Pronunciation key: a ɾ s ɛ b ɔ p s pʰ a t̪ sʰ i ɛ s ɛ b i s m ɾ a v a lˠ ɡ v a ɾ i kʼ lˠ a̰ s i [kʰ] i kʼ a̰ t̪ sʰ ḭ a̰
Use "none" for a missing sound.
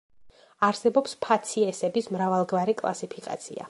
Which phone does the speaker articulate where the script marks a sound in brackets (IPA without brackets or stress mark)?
pʰ